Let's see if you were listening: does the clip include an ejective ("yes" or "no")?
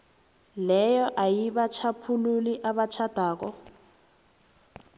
no